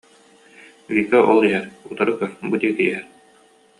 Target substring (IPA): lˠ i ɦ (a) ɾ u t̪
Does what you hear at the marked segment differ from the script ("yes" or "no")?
yes